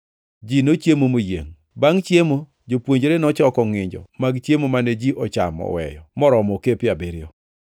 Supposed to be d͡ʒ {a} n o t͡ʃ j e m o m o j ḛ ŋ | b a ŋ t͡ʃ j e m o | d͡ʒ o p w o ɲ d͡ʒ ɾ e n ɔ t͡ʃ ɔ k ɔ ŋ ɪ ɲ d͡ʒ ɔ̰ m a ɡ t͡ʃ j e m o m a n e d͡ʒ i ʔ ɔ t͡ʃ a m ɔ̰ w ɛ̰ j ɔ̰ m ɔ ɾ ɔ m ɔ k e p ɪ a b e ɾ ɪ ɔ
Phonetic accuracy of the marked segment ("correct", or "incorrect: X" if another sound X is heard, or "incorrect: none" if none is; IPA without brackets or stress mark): incorrect: i